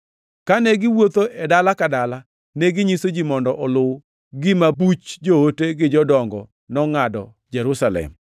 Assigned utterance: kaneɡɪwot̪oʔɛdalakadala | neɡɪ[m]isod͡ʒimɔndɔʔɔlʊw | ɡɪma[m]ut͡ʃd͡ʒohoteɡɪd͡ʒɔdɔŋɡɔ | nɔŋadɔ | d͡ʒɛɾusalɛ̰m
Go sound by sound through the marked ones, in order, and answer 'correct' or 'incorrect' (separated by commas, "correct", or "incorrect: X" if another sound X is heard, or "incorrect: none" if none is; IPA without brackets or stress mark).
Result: incorrect: ɲ, incorrect: b